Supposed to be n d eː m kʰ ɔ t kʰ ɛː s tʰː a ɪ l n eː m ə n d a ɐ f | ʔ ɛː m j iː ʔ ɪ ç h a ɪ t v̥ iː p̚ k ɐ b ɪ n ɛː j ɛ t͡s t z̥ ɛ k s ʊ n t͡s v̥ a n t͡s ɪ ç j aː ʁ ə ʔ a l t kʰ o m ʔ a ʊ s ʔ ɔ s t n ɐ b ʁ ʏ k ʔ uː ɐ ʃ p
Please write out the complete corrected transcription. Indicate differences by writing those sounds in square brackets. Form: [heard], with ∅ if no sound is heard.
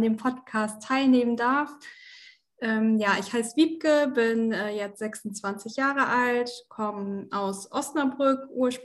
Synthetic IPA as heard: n d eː m [pʰ] ɔ t kʰ [aː] s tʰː a ɪ l n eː m ə n d a ɐ f | ʔ ɛː m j [aː] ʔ ɪ ç h a ɪ [s] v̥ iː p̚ k [ə] b ɪ n ɛː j ɛ t͡s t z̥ ɛ k s ʊ n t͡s v̥ a n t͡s ɪ ç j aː ʁ ə ʔ a l t kʰ [ɔ] m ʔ a ʊ s ʔ ɔ s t n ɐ b ʁ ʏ k ʔ uː ɐ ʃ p